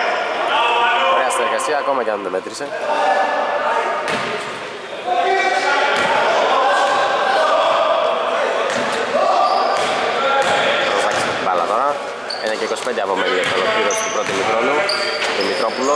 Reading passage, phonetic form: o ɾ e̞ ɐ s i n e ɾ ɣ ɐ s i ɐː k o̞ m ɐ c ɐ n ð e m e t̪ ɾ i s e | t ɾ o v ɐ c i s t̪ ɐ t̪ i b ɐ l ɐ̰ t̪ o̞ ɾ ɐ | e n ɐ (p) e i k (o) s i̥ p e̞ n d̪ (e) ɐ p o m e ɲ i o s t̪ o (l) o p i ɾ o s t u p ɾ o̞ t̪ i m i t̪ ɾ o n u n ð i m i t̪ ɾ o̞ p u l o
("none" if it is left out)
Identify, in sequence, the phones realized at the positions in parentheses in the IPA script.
c, o, e, l

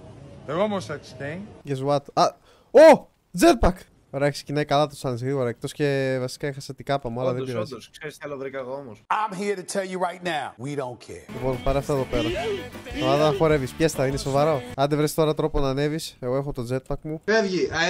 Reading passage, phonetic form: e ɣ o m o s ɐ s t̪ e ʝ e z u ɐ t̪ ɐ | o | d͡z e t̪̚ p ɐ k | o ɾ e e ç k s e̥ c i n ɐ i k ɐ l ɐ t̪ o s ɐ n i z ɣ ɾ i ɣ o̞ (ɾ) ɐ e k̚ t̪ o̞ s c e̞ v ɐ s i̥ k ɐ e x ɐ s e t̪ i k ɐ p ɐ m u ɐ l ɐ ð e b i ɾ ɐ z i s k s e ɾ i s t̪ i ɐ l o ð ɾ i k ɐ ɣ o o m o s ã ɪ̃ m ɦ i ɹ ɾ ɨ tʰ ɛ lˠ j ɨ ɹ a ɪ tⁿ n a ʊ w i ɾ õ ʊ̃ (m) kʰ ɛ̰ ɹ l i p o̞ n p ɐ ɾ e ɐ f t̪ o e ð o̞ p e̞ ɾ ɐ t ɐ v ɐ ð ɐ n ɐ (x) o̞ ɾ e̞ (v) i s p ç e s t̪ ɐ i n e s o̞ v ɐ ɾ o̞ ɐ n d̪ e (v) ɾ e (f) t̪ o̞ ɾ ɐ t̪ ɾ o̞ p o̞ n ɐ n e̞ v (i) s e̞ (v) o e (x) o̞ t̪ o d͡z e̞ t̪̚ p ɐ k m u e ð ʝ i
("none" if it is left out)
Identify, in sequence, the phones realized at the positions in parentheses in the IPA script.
ɾ, n, x, v, v, s, i, ɣ, x

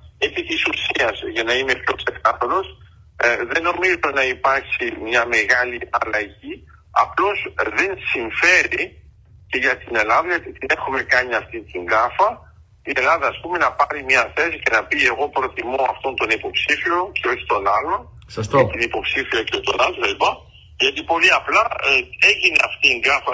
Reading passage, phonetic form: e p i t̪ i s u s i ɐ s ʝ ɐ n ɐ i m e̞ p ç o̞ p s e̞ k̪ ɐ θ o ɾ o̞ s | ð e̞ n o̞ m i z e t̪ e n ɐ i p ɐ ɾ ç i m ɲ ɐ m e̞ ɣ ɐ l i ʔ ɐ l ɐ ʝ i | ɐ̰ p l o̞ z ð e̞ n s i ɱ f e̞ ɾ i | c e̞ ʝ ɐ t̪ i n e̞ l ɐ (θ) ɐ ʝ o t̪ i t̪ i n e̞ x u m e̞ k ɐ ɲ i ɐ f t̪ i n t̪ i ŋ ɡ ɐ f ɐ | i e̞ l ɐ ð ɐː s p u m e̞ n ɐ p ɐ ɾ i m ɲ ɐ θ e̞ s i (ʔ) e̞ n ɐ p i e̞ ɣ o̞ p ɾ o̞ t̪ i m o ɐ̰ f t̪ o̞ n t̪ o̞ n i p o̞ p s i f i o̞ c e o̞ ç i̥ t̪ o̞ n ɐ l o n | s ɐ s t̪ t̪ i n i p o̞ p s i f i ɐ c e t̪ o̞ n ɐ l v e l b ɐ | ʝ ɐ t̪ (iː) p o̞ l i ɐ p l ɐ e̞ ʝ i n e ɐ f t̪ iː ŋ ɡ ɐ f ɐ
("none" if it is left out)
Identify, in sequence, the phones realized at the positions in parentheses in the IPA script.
ð, c, i

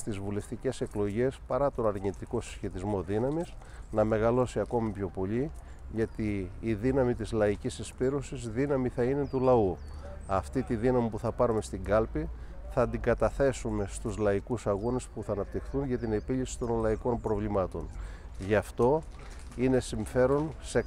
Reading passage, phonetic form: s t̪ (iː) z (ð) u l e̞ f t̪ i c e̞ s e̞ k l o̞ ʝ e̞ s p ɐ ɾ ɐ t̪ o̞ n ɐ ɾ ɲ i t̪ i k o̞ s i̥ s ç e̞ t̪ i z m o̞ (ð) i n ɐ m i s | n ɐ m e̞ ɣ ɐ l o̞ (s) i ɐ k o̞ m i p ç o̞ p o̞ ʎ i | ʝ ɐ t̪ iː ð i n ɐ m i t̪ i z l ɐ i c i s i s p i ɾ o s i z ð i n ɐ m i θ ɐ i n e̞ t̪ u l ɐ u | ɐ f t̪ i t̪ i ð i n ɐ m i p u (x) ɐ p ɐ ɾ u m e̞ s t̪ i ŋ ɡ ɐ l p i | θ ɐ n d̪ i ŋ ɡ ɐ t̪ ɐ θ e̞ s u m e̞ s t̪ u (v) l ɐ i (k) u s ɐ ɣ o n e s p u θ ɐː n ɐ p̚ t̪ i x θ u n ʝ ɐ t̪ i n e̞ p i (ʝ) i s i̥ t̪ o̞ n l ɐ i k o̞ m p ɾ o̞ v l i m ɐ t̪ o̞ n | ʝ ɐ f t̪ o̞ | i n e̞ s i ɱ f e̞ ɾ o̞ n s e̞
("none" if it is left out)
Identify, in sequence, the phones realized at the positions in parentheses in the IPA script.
i, v, ð, s, θ, z, k, ʎ

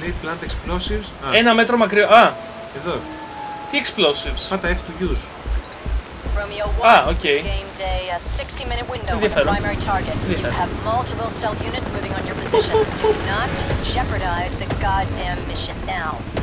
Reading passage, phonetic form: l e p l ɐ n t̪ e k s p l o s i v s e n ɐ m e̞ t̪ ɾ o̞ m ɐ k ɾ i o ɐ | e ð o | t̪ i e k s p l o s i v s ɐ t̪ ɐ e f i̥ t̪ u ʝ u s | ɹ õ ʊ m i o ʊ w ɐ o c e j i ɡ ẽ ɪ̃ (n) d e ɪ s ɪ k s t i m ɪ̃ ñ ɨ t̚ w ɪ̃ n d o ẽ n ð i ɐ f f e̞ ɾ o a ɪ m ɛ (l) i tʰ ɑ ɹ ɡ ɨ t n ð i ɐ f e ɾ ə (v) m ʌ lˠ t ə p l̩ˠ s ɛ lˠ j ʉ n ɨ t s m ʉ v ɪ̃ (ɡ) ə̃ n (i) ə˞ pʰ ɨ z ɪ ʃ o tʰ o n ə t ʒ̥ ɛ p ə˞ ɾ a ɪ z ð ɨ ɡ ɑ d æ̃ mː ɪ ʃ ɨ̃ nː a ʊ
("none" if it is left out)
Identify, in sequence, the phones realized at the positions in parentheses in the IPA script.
m, ɹ, v, ŋ, j

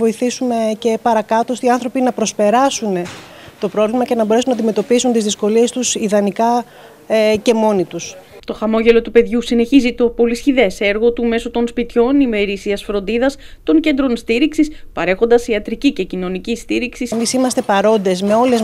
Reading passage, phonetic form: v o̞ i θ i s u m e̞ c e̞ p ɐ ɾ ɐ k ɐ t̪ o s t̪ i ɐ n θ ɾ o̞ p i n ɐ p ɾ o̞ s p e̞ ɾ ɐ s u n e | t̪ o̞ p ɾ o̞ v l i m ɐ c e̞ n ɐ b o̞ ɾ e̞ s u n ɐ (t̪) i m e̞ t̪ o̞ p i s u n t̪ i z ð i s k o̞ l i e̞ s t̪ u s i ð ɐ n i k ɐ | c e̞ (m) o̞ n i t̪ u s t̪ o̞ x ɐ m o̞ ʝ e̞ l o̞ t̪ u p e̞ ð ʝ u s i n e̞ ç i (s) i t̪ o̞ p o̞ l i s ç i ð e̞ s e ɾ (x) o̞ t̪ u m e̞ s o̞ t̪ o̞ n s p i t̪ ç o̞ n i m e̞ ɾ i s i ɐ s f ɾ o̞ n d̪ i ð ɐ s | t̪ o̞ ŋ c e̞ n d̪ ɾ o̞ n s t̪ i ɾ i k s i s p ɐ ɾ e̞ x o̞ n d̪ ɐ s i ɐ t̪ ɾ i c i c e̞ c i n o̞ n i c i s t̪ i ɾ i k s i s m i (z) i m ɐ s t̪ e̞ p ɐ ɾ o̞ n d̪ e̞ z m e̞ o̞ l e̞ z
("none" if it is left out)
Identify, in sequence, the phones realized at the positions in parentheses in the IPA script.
d̪, m, z, ɣ, s

